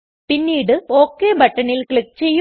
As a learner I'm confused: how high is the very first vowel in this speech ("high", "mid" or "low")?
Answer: high